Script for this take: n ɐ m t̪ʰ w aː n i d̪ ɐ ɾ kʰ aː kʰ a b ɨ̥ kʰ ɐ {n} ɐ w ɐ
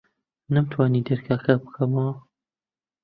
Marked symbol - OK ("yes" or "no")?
no